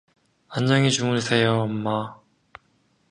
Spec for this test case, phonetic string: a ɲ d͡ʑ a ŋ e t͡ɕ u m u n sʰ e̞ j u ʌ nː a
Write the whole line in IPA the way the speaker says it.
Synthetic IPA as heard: a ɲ d͡ʑ ʌ ŋ i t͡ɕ u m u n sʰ e̞ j o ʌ mː a